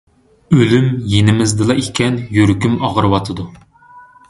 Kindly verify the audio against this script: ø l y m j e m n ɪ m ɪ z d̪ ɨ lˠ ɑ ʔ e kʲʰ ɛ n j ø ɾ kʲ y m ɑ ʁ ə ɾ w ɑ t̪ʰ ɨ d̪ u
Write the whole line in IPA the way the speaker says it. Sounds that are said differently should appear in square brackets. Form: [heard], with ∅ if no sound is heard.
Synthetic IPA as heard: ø l y m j e [∅] n ɪ m ɪ z d̪ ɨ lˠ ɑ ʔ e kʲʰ ɛ n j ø ɾ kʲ y m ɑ ʁ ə ɾ w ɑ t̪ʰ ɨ d̪ u